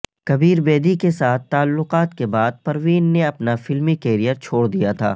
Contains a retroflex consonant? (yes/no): yes